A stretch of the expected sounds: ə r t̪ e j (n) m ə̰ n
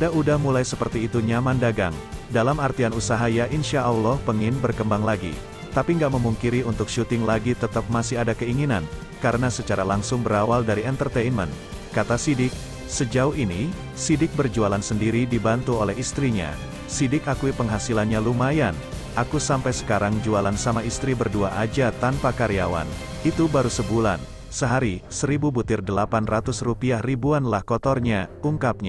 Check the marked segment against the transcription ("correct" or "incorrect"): correct